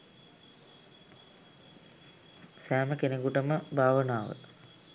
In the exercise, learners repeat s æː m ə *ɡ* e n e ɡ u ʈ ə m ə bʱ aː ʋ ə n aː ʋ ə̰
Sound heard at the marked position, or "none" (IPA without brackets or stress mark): k